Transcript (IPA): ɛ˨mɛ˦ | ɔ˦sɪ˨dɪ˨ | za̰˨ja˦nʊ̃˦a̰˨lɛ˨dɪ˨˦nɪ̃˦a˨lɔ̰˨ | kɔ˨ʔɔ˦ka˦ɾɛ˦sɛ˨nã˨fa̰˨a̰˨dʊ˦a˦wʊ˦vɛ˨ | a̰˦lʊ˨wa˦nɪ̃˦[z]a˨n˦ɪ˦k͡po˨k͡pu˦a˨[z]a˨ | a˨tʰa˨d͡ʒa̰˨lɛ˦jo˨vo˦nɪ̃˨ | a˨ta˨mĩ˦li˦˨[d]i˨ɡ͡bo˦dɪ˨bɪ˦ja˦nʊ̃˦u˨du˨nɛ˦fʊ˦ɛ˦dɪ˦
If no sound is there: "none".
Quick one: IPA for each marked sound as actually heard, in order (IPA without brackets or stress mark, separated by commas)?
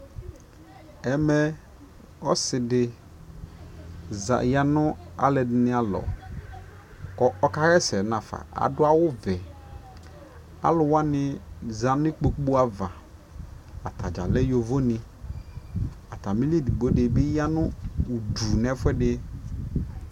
z, v, d